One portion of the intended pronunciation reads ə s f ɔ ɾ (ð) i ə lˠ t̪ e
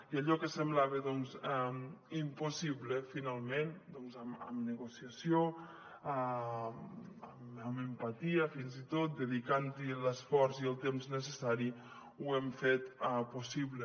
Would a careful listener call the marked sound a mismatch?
yes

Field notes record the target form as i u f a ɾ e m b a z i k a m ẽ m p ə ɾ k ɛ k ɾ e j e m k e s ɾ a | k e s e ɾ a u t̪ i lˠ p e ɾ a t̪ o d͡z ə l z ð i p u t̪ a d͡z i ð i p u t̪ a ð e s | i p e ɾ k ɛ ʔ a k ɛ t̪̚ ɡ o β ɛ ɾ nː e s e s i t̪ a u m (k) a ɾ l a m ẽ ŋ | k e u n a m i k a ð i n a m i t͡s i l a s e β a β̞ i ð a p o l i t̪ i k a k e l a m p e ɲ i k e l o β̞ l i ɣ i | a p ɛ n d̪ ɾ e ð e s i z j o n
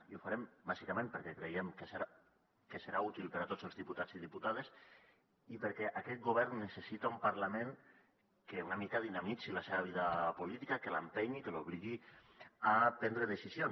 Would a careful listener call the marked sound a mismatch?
yes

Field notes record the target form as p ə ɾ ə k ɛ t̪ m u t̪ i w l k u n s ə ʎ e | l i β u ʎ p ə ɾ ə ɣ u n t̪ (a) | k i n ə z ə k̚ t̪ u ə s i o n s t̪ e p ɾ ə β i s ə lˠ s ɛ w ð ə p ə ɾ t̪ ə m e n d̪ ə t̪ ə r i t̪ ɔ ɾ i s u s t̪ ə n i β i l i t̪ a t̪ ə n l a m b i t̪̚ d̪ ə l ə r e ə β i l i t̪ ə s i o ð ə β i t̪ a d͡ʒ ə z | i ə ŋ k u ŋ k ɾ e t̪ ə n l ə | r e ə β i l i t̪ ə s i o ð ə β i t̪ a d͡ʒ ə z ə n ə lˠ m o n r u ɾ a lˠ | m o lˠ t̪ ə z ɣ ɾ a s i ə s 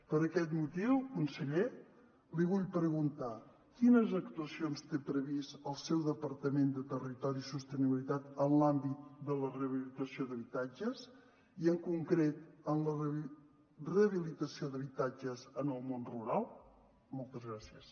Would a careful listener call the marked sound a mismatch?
no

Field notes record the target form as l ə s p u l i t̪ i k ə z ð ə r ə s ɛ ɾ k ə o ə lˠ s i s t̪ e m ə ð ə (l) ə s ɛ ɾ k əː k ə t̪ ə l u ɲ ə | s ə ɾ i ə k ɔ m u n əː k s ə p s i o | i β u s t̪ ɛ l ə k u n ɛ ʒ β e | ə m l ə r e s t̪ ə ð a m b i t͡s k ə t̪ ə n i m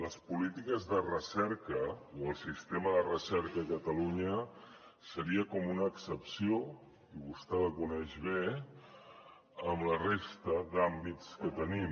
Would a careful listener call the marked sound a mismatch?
yes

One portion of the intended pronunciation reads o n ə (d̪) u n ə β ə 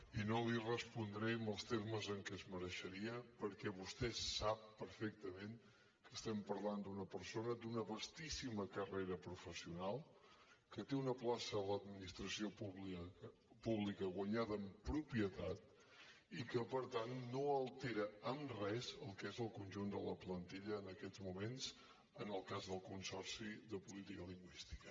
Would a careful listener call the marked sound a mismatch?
no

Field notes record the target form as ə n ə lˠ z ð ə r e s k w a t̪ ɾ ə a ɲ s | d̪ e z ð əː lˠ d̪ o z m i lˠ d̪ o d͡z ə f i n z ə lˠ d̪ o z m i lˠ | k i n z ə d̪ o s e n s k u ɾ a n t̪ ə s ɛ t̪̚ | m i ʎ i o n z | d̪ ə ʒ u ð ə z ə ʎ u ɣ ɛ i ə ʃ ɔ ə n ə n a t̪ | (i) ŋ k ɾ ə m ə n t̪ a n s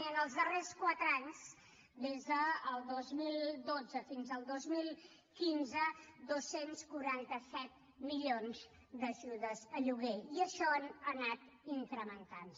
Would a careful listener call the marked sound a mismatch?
no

